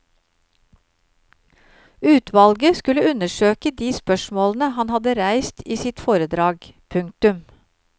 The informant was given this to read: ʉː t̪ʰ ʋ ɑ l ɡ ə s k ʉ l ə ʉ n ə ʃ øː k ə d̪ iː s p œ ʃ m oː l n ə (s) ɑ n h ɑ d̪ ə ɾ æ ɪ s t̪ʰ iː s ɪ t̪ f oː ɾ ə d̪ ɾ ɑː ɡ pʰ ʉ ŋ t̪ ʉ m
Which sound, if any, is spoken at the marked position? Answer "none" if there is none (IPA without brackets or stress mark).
h